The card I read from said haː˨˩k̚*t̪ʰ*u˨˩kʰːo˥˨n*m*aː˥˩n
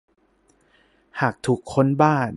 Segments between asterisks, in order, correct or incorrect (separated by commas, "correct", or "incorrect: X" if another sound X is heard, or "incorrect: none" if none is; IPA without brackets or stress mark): correct, incorrect: b